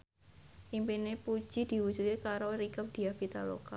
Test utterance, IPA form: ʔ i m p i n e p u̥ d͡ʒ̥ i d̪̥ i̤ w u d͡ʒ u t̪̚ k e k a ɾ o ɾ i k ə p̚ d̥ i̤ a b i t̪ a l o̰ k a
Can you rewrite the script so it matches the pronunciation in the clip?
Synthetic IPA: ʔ i m p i n e p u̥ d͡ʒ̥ i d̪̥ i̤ w u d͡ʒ u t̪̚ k e k a ɾ o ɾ i k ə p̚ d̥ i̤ a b i t̪ a l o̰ k a